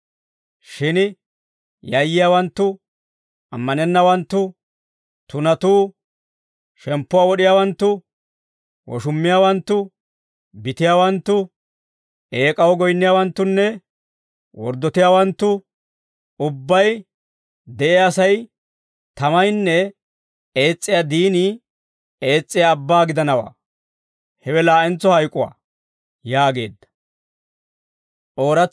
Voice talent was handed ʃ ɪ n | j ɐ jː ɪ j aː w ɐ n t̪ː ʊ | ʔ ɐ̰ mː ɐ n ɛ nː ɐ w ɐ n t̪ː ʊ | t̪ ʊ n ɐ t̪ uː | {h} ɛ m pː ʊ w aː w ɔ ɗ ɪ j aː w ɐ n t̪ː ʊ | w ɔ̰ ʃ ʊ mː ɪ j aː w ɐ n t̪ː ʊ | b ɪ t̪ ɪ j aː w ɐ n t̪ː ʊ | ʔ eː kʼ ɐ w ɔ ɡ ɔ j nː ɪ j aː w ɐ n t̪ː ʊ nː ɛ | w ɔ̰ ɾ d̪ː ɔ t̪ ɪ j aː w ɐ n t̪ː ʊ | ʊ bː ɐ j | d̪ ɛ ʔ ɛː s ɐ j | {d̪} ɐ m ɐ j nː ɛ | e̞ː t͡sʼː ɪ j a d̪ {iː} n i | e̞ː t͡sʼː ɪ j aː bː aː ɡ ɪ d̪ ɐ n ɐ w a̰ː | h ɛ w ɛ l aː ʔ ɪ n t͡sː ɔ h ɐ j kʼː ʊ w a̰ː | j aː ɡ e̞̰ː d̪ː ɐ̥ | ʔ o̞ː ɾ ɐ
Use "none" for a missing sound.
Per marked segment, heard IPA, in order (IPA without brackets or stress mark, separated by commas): ʃ, t̪, iː